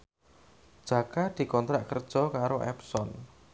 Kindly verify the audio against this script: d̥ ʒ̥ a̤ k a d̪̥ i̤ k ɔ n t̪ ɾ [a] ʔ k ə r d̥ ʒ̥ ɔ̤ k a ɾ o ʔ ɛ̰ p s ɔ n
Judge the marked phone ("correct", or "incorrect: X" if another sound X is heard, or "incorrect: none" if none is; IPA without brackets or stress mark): correct